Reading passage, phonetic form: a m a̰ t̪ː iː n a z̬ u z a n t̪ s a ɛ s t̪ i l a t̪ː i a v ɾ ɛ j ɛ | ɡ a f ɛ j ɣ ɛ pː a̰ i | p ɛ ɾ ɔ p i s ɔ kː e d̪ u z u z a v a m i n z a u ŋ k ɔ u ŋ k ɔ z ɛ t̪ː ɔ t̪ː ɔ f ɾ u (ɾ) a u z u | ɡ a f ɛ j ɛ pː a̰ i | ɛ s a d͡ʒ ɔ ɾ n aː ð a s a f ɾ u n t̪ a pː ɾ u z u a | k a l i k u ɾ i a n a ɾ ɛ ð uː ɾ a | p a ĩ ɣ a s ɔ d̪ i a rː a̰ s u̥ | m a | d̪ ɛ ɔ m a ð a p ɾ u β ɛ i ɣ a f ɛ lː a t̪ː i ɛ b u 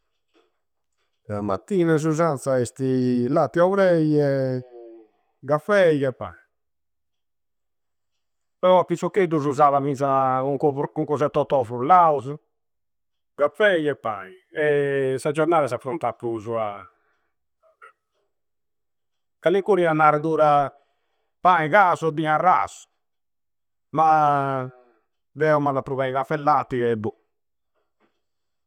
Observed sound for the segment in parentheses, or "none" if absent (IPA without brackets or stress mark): l